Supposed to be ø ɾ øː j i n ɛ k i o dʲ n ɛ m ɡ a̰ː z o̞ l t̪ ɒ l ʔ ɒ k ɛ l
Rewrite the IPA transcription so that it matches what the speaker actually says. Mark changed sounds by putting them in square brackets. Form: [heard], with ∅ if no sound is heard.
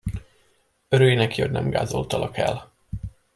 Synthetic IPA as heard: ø ɾ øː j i n ɛ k i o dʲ n ɛ m ɡ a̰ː z o̞ l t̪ ɒ l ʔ ɒ k ɛ l